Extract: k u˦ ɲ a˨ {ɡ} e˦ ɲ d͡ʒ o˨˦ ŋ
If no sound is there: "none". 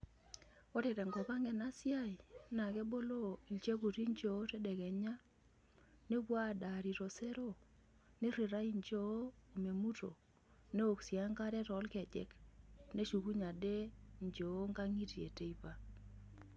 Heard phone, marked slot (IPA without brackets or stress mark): d